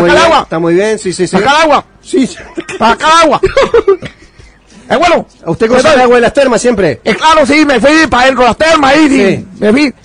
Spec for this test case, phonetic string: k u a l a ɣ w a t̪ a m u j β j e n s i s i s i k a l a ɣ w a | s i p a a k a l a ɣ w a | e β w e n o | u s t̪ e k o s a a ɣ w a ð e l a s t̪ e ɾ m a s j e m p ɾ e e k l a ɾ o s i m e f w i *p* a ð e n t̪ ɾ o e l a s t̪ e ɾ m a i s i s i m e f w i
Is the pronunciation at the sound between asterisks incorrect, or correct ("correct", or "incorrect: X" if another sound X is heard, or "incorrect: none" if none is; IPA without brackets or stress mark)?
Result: correct